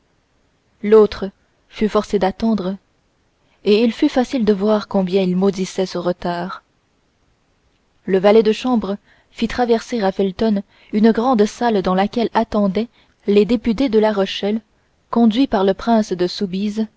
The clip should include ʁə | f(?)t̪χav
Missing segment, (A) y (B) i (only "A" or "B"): B